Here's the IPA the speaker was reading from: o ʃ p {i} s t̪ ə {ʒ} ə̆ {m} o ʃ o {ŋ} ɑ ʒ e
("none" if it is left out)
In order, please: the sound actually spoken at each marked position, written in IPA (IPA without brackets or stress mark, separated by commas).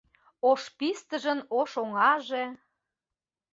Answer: i, ʒ, n, ŋ